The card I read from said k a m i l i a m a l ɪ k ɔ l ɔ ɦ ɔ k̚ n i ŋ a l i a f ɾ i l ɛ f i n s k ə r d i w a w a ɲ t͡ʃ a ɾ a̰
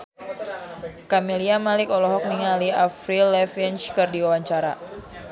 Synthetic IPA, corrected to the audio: k a m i l i a m a l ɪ k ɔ l ɔ ɦ ɔ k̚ n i ŋ a l i a f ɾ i l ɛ f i n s k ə r d i w a w a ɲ t͡ʃ a ɾ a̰